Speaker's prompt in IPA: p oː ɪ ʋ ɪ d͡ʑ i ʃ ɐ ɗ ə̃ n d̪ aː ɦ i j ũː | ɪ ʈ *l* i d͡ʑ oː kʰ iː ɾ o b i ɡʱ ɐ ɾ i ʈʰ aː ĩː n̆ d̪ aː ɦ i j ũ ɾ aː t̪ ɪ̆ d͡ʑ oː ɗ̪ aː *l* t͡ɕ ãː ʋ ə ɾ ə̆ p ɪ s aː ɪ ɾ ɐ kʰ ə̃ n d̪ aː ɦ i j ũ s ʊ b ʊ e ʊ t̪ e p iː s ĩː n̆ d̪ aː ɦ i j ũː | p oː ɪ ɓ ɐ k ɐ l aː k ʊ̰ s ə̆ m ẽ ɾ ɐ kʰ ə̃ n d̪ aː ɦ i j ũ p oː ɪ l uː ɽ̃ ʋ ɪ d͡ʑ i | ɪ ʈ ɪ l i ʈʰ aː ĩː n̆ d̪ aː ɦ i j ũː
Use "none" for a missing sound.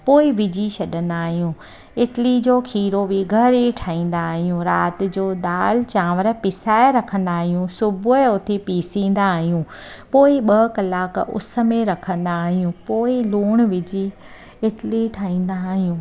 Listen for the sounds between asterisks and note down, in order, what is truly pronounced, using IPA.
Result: l, l

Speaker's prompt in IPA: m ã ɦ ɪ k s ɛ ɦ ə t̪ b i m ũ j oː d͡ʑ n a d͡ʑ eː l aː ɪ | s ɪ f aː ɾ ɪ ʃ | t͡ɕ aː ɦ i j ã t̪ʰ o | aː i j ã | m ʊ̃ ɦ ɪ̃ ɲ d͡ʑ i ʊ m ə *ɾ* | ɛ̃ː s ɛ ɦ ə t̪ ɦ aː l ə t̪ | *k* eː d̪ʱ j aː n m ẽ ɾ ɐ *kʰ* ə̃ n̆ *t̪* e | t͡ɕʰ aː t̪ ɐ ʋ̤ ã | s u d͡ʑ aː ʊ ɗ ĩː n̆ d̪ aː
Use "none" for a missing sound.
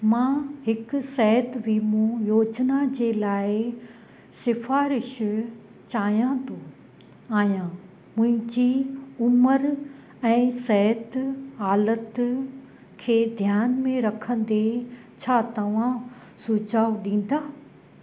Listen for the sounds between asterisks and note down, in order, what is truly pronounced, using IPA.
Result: ɾ, kʰ, kʰ, d̪

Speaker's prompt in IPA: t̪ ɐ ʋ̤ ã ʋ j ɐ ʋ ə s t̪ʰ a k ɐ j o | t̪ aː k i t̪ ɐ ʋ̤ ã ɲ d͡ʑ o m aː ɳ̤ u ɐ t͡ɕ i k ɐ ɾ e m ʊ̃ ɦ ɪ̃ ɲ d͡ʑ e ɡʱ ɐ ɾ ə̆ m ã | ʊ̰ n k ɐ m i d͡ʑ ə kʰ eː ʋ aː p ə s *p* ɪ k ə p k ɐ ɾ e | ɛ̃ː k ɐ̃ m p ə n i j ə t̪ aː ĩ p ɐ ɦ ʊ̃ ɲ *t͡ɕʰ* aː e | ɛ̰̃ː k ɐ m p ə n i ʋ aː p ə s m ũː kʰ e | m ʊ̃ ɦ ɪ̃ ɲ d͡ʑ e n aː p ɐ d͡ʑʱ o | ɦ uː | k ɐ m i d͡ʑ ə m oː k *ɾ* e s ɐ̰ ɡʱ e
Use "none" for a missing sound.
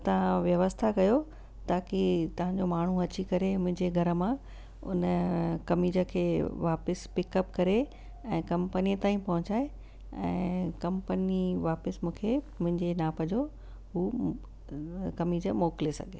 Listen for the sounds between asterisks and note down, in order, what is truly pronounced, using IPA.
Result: p, t͡ɕ, l

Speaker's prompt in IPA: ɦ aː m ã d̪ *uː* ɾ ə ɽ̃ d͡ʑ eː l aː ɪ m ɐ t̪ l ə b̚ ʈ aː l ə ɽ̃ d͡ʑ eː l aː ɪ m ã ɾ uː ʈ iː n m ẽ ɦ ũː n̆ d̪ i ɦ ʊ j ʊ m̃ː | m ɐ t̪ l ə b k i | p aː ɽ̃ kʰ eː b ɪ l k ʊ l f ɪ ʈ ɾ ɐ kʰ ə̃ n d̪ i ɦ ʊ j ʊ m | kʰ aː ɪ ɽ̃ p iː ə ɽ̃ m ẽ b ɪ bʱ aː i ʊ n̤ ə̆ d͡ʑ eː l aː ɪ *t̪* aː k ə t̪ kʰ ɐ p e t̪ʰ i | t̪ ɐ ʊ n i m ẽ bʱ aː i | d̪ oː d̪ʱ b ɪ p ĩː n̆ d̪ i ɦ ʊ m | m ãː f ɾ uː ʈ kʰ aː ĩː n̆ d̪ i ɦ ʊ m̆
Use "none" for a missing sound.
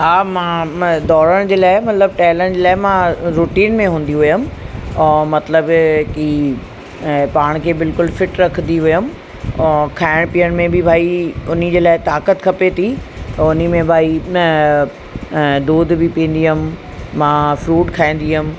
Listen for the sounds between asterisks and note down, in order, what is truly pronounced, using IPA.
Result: ɔː, t̪

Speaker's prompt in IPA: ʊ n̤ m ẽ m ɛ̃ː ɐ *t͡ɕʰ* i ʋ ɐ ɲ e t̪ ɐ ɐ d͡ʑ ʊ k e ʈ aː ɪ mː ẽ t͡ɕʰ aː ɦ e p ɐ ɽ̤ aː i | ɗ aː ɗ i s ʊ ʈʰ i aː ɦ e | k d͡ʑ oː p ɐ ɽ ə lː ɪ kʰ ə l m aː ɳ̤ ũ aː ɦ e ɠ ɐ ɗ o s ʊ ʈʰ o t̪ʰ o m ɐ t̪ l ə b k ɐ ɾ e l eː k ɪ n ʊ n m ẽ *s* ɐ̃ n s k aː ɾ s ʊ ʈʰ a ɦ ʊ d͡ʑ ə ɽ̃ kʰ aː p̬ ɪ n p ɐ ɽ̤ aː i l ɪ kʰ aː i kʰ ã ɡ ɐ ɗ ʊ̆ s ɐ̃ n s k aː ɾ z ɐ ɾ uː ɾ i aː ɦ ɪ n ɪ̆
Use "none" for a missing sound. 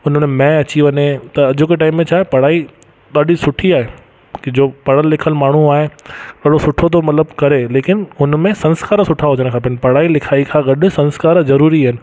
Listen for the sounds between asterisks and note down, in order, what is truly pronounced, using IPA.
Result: t͡ɕ, s

